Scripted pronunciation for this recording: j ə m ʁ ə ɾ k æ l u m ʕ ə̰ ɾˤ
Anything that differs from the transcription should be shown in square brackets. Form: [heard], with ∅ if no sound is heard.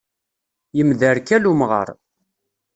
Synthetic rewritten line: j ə m [ð] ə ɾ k æ l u m [ʁ] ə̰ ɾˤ